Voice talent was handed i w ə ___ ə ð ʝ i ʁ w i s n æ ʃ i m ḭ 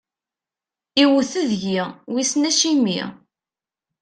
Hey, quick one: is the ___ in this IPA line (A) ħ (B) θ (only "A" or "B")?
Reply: B